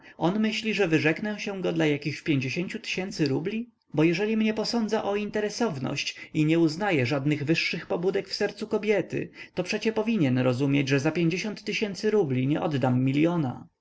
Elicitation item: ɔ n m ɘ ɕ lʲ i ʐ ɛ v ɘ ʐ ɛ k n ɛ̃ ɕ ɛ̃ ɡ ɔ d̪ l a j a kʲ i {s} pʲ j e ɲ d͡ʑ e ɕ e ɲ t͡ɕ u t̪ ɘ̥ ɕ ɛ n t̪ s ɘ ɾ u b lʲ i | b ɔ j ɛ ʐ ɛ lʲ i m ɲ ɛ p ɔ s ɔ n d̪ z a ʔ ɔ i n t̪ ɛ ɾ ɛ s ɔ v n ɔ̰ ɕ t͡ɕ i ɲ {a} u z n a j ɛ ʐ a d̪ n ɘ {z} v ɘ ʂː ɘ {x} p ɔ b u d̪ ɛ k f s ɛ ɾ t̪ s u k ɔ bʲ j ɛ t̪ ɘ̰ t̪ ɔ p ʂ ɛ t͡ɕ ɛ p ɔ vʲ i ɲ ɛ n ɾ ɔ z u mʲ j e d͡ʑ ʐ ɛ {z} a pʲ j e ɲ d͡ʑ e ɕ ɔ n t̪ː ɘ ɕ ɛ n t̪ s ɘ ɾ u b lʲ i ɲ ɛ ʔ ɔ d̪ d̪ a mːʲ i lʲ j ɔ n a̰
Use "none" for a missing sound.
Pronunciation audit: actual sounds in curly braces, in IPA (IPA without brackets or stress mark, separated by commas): x, ɛ, ɣ, x, z